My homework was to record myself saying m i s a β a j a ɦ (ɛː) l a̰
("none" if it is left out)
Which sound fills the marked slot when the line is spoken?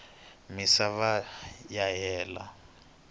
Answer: ɛː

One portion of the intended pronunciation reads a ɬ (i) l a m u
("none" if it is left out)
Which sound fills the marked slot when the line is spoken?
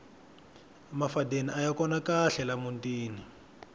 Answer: ɛ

